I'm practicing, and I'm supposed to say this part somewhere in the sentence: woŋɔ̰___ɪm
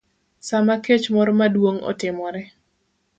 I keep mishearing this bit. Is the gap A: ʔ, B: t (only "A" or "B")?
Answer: B